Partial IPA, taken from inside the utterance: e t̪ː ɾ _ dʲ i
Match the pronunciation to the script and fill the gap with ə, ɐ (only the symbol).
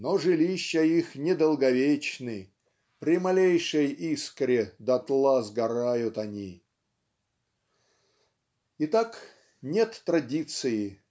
ɐ